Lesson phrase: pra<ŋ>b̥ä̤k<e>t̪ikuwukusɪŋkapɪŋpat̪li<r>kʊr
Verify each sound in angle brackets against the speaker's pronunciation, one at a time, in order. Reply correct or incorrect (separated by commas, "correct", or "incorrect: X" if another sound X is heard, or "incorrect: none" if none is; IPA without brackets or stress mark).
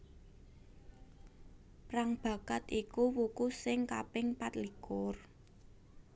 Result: correct, incorrect: a, incorrect: none